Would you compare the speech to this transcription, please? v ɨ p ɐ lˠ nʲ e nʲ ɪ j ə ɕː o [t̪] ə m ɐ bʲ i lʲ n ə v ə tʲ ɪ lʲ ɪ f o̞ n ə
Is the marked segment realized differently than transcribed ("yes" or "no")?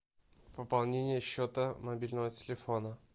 no